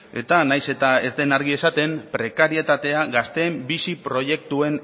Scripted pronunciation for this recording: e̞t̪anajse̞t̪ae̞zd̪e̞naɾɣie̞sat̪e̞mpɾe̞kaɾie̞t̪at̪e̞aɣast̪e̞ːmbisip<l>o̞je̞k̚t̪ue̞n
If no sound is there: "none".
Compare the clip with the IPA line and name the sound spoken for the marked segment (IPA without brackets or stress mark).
ɾ